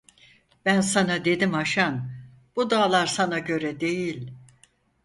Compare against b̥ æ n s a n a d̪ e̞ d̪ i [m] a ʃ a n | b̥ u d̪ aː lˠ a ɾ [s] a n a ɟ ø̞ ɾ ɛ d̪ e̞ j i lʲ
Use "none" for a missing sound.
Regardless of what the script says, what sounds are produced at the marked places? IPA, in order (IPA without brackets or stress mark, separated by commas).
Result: m, s